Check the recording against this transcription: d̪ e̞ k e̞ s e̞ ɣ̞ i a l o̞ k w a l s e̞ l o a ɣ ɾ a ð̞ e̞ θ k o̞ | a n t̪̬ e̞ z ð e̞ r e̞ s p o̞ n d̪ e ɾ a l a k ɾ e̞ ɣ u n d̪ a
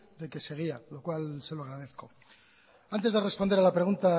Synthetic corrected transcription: d̪ e̞ k e̞ s e̞ ɣ̞ i a l o̞ k w a l s e̞ l o a ɣ ɾ a ð̞ e̞ θ k o̞ | a n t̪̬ e̞ z ð e̞ r e̞ s p o̞ n d̪ e ɾ a l a p ɾ e̞ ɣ u n t̪ a